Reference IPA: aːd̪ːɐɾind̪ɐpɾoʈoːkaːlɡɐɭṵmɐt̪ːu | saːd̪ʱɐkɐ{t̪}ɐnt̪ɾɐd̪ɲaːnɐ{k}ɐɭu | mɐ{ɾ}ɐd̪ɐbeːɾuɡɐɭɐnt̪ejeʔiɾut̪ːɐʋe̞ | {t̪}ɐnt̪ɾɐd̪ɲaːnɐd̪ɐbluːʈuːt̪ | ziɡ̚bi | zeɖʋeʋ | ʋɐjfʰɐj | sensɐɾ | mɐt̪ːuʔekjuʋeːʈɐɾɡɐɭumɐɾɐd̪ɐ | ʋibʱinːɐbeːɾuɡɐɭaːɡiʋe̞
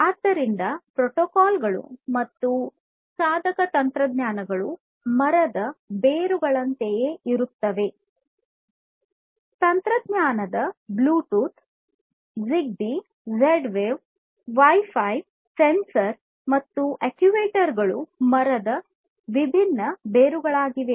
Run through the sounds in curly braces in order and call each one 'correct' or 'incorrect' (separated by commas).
correct, incorrect, correct, correct